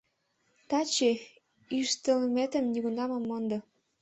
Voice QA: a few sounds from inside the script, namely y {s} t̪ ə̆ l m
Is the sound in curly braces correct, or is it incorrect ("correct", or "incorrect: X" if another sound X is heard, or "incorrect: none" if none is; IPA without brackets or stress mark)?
incorrect: ʃ